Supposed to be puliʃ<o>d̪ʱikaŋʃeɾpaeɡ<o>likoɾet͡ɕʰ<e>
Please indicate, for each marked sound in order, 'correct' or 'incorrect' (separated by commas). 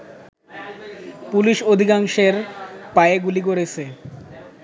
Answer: correct, incorrect, correct